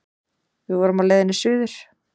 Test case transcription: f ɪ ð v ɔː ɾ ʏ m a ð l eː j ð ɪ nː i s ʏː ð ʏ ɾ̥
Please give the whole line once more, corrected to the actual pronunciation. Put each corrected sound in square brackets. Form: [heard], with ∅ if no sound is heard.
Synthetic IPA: [v] ɪ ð v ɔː ɾ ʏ m a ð l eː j ð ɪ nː [ɪ] s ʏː ð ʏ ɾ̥